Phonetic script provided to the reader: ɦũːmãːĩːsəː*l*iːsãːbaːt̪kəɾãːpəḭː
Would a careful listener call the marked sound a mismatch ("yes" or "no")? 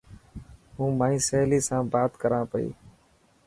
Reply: no